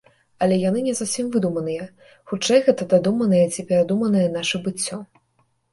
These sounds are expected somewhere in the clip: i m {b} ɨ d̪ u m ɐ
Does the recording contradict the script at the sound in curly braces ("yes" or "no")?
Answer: yes